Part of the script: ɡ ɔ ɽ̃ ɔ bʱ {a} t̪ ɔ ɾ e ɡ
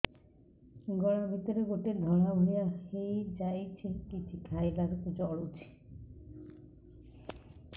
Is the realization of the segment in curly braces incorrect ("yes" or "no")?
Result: yes